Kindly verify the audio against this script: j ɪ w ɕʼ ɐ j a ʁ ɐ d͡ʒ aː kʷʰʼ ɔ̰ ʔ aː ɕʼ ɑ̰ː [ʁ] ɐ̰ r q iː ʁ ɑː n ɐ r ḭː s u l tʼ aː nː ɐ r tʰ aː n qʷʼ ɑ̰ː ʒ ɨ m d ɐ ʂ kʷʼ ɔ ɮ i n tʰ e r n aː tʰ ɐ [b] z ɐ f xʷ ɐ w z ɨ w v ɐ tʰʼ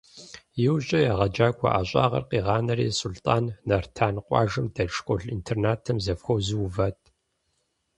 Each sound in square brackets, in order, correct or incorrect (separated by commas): correct, incorrect